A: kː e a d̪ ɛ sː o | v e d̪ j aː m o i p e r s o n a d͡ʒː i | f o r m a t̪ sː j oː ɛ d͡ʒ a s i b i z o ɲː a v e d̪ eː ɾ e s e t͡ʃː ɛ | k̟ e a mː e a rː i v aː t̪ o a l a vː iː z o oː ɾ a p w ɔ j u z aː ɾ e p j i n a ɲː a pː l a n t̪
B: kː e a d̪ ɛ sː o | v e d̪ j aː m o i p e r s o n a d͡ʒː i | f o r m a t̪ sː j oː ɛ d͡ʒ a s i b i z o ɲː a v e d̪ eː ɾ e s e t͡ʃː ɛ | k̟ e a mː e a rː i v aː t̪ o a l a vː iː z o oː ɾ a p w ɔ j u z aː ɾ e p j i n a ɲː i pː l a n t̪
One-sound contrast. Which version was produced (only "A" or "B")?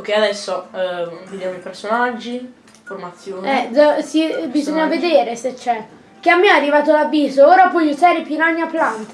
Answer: A